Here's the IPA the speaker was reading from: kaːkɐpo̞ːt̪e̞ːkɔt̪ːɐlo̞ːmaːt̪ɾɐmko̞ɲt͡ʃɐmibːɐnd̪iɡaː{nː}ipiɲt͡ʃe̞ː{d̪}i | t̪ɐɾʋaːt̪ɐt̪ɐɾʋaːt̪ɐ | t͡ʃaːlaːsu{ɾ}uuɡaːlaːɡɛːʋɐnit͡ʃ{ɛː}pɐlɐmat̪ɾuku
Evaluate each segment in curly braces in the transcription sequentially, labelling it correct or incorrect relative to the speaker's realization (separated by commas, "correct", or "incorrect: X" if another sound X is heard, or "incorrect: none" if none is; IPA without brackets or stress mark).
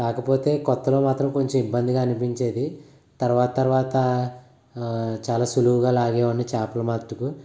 incorrect: n, correct, incorrect: l, incorrect: aː